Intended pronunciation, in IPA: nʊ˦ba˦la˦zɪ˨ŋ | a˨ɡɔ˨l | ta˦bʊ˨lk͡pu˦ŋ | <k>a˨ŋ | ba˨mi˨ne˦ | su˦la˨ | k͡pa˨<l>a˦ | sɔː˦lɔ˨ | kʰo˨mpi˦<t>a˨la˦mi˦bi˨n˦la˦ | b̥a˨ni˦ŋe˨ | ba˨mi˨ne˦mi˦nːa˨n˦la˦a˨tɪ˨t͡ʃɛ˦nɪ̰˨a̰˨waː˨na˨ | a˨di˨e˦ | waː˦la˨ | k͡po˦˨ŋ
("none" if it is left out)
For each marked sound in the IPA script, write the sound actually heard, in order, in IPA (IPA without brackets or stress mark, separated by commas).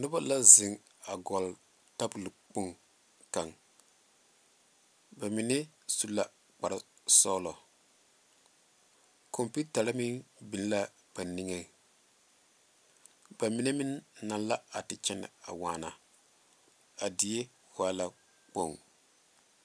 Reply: k, ɾ, t